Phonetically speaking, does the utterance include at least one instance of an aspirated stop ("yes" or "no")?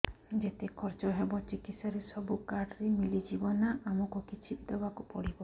yes